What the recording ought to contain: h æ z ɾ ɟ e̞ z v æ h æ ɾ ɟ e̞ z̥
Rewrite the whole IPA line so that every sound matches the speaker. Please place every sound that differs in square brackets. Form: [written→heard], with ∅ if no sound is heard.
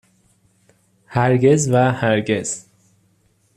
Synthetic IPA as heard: h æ [z→∅] ɾ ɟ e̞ z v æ h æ ɾ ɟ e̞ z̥

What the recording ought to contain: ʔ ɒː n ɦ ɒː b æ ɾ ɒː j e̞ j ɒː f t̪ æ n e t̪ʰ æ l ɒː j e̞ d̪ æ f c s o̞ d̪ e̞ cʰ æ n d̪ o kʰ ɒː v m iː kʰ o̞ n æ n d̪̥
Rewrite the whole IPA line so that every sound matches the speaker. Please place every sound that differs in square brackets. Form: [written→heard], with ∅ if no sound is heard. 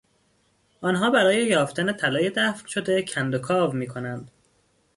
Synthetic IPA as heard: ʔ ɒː n ɦ ɒː b æ ɾ ɒː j e̞ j ɒː f t̪ æ n e t̪ʰ æ l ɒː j e̞ d̪ æ f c [s→ʃ] o̞ d̪ e̞ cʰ æ n d̪ o kʰ ɒː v m iː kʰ o̞ n æ n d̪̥

